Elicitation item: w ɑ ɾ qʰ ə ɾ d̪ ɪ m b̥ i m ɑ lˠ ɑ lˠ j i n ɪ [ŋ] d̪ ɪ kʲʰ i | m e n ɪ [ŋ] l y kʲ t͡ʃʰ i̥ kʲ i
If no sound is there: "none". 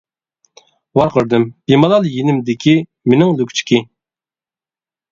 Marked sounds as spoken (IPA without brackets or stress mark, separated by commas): m, ŋ